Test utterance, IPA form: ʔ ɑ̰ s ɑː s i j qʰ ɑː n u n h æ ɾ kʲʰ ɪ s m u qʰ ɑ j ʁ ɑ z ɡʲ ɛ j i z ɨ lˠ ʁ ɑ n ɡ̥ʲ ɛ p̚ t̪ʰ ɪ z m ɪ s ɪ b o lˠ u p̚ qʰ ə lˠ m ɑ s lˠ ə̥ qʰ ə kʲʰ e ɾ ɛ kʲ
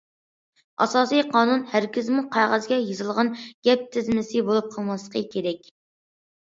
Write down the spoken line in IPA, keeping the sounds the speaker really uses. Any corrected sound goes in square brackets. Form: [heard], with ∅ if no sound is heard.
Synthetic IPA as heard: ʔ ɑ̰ s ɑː s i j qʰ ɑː n u n h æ ɾ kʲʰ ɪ [z] m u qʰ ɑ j ʁ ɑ z ɡʲ ɛ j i z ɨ lˠ ʁ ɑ n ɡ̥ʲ ɛ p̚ t̪ʰ ɪ z m ɪ s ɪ b o lˠ u p̚ qʰ ə lˠ m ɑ s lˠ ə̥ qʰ ə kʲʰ e ɾ ɛ kʲ